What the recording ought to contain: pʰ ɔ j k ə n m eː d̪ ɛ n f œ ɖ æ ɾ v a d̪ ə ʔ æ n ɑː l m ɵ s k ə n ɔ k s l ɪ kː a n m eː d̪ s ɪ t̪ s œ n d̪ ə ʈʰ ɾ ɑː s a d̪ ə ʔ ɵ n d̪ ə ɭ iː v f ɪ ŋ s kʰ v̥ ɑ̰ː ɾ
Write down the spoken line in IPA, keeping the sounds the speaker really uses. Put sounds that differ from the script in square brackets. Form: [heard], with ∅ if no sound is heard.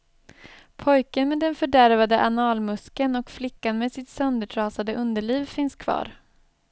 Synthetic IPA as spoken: pʰ ɔ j k ə n m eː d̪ ɛ n f œ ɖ æ ɾ v a d̪ ə ʔ [a] n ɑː l m ɵ s k ə n ɔ k [f] l ɪ kː a n m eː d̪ s ɪ t̪ s œ n d̪ ə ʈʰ ɾ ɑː s a d̪ ə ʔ ɵ n d̪ ə ɭ iː v f ɪ [n] s kʰ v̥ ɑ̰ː ɾ